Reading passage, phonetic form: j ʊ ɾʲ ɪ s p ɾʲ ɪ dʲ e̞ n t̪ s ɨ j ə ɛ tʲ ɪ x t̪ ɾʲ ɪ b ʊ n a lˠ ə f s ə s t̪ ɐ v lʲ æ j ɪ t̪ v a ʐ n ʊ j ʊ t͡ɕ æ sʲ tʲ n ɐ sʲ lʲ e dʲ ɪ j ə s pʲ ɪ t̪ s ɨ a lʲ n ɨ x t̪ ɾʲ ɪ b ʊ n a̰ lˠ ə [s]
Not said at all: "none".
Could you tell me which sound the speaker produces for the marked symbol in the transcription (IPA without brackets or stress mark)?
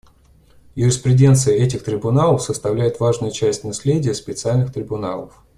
f